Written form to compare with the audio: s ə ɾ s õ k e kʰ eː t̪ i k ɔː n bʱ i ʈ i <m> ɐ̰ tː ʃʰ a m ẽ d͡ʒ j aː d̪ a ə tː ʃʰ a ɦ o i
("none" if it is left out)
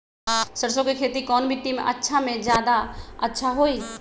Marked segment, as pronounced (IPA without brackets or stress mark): m